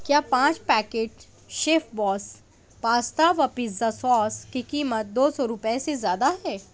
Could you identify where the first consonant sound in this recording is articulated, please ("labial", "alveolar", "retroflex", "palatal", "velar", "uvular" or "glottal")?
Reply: velar